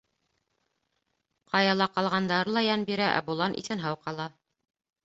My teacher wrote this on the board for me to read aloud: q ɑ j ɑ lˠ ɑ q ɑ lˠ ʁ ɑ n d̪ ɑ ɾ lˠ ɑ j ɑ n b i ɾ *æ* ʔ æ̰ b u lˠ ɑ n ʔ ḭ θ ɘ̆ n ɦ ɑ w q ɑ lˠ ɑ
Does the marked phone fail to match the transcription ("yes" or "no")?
no